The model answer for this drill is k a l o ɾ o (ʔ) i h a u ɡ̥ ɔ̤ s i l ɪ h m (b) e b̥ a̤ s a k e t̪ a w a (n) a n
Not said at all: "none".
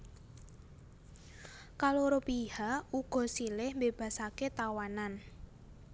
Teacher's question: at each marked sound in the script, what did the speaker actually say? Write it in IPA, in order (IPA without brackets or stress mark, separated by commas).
p, b, n